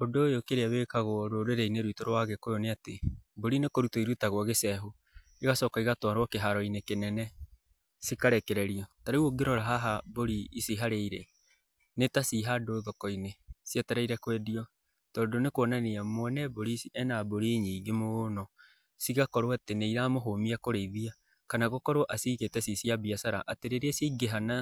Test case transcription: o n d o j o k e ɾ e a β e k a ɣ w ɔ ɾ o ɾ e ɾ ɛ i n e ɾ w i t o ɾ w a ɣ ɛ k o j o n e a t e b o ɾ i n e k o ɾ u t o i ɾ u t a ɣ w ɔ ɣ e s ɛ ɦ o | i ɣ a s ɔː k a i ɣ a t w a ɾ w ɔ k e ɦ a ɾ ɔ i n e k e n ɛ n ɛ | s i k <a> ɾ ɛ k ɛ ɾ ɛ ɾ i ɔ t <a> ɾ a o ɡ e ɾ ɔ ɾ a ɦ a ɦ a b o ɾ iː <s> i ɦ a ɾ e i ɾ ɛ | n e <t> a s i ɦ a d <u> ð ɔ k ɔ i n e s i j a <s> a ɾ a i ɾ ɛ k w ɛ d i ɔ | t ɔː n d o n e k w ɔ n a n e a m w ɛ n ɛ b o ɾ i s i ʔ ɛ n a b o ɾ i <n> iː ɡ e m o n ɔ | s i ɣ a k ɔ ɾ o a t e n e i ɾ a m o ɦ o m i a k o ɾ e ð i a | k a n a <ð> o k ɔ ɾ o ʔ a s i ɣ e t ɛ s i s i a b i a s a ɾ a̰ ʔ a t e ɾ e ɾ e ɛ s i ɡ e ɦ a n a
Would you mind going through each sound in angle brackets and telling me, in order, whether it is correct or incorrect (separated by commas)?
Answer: correct, correct, correct, correct, incorrect, incorrect, incorrect, incorrect